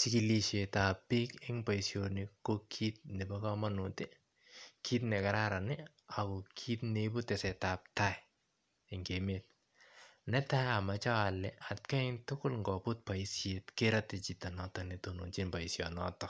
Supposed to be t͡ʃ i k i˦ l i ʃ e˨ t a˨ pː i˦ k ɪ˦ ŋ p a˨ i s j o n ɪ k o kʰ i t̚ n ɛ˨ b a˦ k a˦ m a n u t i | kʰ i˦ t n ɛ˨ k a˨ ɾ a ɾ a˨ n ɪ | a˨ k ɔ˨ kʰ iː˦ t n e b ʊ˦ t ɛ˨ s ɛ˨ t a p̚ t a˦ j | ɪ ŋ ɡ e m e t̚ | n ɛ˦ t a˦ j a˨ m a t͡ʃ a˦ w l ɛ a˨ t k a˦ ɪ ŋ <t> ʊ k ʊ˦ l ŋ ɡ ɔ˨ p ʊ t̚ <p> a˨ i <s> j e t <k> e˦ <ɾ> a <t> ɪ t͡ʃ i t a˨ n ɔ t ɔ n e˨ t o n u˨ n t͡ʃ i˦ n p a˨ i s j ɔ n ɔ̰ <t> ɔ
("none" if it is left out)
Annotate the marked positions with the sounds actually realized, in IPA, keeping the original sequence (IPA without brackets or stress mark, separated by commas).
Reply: t, p, s, k, ɾ, t, t